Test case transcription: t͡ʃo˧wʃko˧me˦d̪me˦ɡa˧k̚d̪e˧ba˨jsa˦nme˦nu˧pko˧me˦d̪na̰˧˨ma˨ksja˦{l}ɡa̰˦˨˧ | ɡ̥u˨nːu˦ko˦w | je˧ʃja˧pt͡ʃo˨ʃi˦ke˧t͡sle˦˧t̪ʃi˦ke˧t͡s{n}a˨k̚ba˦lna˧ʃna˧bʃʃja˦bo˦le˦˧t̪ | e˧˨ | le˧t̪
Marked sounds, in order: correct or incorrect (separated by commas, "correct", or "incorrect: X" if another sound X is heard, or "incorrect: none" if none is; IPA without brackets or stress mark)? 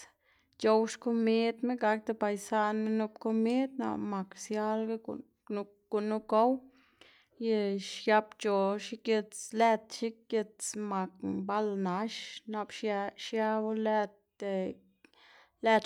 correct, incorrect: m